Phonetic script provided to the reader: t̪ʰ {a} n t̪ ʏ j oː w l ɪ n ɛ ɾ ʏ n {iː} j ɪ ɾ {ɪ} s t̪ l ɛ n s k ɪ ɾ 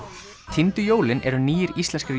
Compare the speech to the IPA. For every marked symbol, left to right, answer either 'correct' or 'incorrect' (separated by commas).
incorrect, correct, incorrect